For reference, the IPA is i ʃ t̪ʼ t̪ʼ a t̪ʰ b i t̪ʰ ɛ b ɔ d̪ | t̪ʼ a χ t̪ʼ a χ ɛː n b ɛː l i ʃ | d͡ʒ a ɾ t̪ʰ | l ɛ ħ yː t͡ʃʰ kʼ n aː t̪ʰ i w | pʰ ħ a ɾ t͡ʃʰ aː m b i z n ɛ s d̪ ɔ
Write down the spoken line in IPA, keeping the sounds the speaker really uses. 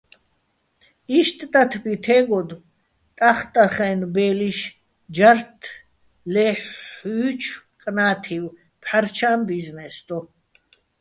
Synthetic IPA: i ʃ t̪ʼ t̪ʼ a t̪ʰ b i t̪ʰ ɛ ɡ ɔ d̪ | t̪ʼ a χ t̪ʼ a χ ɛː n b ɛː l i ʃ | d͡ʒ a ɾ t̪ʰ | l ɛ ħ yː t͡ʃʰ kʼ n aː t̪ʰ i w | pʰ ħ a ɾ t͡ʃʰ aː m b i z n ɛ s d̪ ɔ